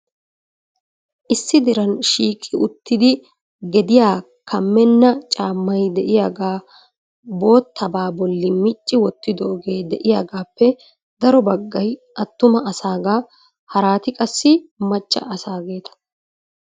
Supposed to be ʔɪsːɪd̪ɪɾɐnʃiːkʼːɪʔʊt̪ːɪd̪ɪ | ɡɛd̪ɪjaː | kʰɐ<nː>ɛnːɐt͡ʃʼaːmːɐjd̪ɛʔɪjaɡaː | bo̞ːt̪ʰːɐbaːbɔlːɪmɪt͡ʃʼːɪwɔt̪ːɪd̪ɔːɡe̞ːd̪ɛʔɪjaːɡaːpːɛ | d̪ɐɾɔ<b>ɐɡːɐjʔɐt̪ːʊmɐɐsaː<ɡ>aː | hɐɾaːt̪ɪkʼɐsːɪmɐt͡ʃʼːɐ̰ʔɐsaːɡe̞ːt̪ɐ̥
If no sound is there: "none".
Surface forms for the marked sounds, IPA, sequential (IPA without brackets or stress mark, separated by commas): mː, b, ɡ